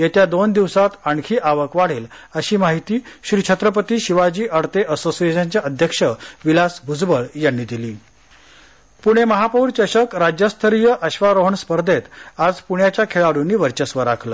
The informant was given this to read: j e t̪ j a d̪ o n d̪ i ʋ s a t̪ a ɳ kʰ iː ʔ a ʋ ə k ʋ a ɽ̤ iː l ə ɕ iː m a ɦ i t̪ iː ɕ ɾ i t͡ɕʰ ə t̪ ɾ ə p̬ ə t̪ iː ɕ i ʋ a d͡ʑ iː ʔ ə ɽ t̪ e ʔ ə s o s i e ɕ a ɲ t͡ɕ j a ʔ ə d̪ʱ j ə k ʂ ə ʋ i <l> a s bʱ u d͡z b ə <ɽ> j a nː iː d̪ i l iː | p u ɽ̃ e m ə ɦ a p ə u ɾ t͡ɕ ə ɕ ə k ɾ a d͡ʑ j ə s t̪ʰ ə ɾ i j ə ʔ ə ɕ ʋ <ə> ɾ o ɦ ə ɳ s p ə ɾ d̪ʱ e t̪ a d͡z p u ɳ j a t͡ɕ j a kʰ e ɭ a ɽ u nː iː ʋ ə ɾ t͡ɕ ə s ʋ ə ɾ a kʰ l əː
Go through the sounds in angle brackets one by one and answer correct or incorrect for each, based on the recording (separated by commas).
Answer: correct, incorrect, incorrect